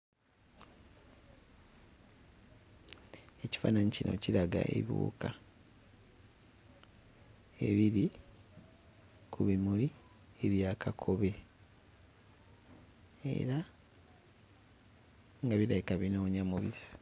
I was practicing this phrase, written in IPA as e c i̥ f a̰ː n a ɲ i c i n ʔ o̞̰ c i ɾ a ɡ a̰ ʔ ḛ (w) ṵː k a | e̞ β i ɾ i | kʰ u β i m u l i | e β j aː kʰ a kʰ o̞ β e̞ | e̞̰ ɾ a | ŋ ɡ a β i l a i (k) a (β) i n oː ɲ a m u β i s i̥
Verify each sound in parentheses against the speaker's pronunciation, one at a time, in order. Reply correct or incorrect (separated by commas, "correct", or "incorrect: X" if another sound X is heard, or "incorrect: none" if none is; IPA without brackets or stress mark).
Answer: incorrect: β, correct, correct